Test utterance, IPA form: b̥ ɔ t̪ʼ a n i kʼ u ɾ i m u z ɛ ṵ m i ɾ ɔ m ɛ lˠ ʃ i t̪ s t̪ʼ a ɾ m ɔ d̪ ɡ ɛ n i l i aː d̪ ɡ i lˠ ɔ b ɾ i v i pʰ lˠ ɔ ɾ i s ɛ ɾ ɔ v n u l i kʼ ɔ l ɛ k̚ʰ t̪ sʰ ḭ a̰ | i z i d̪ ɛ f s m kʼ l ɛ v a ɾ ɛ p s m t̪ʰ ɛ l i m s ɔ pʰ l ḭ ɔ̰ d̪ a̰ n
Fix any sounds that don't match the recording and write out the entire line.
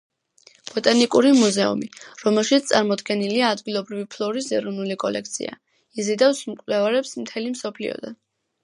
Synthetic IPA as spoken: b̥ ɔ t̪ʼ a n i kʼ u ɾ i m u z ɛ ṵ m i ɾ ɔ m ɛ lˠ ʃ i t̪ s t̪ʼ a ɾ m ɔ d̪ ɡ ɛ n i l i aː d̪ ɡ i lˠ ɔ b ɾ i v i pʰ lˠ ɔ ɾ i s ɛ ɾ ɔ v n u l i kʼ ɔ l ɛ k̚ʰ t̪ sʰ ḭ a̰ | i z i d̪ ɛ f s m kʼ l ɛ v a ɾ ɛ p s m t̪ʰ ɛ l i m s ɔ pʰ l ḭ ɔ̰ d̪ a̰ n